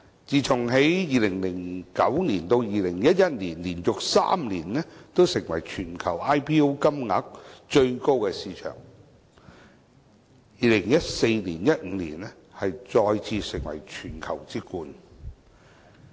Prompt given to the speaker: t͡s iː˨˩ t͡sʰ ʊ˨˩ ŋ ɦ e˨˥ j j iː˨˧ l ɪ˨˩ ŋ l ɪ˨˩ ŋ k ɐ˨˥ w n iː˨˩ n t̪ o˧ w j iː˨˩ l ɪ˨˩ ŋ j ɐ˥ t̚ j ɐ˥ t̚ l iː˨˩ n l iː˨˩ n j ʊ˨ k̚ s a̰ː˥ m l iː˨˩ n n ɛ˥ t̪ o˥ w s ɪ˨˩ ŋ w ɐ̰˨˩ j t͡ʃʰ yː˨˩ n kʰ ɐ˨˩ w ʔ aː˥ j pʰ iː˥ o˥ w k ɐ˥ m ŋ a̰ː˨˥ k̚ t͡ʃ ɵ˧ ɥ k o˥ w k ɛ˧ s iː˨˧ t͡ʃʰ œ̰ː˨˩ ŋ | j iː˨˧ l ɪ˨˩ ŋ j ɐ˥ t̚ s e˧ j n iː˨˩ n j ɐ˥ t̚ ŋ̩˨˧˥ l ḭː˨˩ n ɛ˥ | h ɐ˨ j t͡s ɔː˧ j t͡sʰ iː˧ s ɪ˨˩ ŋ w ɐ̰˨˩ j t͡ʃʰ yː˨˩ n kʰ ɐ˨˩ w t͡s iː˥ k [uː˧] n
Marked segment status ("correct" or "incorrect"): correct